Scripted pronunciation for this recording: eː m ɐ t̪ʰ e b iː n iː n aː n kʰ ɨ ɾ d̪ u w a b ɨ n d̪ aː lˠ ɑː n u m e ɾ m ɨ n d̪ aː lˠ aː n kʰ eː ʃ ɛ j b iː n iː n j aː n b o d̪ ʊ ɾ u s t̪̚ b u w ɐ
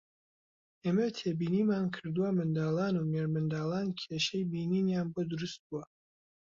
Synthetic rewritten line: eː m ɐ t̪ʰ e b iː n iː m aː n kʰ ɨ ɾ d̪ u w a m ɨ n d̪ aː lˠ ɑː n u m e ɾ m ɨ n d̪ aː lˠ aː n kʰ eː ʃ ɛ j b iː n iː n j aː n b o d̪ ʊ ɾ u s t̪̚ b u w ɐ

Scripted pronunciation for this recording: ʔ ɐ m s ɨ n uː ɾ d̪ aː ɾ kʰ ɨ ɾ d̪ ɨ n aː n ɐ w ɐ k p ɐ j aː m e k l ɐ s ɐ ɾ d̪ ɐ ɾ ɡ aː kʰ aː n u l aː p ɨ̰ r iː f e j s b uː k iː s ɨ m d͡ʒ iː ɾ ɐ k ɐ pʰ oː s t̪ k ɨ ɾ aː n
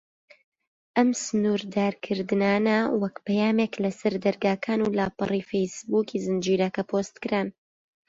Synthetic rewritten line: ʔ ɐ m s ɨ n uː ɾ d̪ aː ɾ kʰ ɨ ɾ d̪ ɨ n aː n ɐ w ɐ k p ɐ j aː m e k l ɐ s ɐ ɾ d̪ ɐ ɾ ɡ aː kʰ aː n u l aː p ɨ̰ r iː f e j s b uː k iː z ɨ n d͡ʒ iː ɾ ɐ k ɐ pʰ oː s t̪ k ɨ ɾ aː n

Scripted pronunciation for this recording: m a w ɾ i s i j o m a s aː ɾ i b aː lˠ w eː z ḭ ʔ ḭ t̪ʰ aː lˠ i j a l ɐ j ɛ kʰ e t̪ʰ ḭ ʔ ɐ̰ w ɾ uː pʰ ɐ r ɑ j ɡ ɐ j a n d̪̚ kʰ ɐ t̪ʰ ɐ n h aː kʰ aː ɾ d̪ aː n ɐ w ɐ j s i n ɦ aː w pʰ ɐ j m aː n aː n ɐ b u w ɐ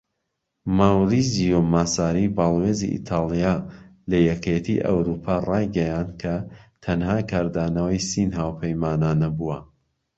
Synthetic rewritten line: m a w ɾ i z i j o m a s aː ɾ i b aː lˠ w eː z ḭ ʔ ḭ t̪ʰ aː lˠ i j a l ɐ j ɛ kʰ e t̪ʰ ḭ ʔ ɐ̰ w ɾ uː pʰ a r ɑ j ɡ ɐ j a n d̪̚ kʰ ɐ t̪ʰ ɐ n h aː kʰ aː ɾ d̪ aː n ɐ w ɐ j s i n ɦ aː w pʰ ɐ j m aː n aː n ɐ b u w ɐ

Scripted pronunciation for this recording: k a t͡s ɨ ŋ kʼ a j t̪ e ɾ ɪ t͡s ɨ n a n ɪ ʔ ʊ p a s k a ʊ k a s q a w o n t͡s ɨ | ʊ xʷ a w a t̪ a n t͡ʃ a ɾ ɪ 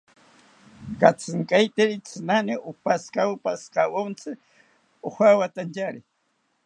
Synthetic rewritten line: k a t͡s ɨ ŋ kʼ a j t̪ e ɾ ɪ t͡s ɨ n a n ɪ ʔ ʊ p a s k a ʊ p a s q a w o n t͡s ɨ | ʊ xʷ a w a t̪ a n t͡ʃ a ɾ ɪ

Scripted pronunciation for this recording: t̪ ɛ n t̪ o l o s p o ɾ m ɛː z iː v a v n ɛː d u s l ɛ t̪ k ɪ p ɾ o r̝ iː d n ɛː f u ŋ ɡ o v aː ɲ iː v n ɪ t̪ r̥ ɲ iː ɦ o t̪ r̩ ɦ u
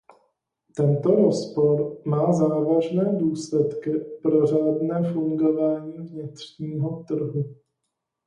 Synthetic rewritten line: t̪ ɛ n t̪ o ɾ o s p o ɾ m aː z aː v a ʒ n ɛː d uː s l ɛ t̪ k ɪ p ɾ o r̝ aː d n ɛː f u ŋ ɡ o v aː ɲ iː v ɲ ɪ t̪ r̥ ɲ iː ɦ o t̪ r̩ ɦ u

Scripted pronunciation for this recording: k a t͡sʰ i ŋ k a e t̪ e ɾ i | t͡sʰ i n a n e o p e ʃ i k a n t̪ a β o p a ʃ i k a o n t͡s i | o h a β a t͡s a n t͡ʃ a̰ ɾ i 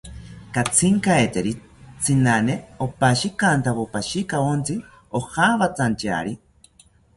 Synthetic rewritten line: k a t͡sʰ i ŋ k a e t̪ e ɾ i | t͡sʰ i n a n e o p a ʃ i k a n t̪ a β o p a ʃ i k a o n t͡s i | o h a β a t͡s a n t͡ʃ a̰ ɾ i

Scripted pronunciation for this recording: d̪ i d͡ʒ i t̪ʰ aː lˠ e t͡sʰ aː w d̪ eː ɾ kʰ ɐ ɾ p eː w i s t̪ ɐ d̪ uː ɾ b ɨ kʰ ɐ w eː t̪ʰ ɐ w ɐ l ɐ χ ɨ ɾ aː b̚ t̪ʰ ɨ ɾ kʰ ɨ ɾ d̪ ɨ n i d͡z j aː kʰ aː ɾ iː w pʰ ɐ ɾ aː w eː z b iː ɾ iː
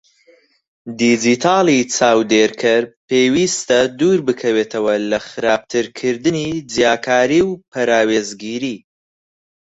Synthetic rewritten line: d̪ i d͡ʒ i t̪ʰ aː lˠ i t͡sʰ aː w d̪ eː ɾ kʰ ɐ ɾ p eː w i s t̪ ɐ d̪ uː ɾ b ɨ kʰ ɐ w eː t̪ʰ ɐ w ɐ l ɐ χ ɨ ɾ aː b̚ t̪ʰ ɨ ɾ kʰ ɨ ɾ d̪ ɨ n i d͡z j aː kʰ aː ɾ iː w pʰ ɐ ɾ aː w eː z ɡ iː ɾ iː

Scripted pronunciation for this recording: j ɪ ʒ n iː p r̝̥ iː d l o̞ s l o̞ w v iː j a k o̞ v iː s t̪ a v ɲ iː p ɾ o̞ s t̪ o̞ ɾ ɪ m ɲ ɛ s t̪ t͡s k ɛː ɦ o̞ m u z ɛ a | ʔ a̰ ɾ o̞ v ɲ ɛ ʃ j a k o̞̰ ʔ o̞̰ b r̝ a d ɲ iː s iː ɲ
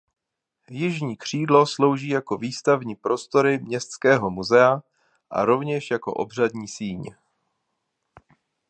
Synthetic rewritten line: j ɪ ʒ ɲ iː k r̝̥ iː d l o̞ s l o̞ w ʒ iː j a k o̞ v iː s t̪ a v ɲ iː p ɾ o̞ s t̪ o̞ ɾ ɪ m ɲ ɛ s t̪ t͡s k ɛː ɦ o̞ m u z ɛ a | ʔ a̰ ɾ o̞ v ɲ ɛ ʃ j a k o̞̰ ʔ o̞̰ b r̝ a d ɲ iː s iː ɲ

